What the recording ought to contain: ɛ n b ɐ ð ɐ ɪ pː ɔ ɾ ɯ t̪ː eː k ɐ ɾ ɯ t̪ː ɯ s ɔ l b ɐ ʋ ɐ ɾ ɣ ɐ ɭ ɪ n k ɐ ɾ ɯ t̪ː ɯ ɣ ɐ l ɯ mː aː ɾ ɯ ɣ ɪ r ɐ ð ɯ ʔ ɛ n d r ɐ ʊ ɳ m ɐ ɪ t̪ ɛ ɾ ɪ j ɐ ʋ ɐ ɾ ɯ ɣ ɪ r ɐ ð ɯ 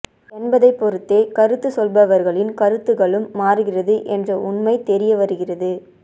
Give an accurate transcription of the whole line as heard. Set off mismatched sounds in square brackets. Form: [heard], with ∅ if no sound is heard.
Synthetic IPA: ɛ n b ɐ ð ɐ ɪ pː ɔ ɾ ɯ t̪ː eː k ɐ ɾ ɯ t̪ː ɯ s ɔ l b ɐ ʋ ɐ ɾ ɣ ɐ ɭ ɪ n k ɐ ɾ ɯ t̪ː ɯ ɣ ɐ [ɭ] ɯ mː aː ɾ ɯ ɣ ɪ r ɐ ð ɯ ʔ ɛ n d r ɐ ʊ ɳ m ɐ ɪ t̪ ɛ ɾ ɪ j ɐ ʋ ɐ ɾ ɯ ɣ ɪ r ɐ ð ɯ